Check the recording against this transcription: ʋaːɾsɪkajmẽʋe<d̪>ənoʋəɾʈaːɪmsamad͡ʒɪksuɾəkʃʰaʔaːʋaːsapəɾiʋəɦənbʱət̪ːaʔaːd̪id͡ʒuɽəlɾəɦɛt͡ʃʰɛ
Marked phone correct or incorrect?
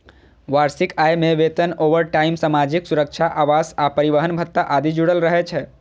incorrect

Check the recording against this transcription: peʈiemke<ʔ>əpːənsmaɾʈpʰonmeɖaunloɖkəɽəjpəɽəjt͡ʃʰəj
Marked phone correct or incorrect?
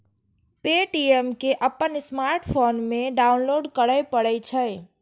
correct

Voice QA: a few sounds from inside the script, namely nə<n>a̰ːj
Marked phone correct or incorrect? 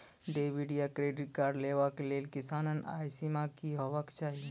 correct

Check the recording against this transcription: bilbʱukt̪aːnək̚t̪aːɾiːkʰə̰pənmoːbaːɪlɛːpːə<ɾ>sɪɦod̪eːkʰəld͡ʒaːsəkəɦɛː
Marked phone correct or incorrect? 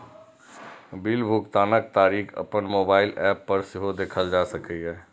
correct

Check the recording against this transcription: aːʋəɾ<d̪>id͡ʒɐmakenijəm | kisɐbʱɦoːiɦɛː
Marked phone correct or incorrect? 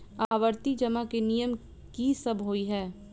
incorrect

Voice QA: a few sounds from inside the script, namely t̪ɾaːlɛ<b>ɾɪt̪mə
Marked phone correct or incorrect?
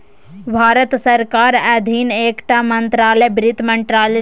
correct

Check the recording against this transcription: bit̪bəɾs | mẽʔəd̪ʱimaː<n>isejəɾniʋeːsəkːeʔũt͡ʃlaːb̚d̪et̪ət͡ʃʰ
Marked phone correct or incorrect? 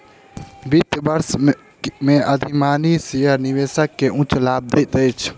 correct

